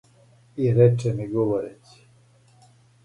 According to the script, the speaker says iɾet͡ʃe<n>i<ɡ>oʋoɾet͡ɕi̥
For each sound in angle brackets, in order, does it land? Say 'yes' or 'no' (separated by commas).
no, yes